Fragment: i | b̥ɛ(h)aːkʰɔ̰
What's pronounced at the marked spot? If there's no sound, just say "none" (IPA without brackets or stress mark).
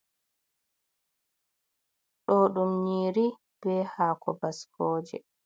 h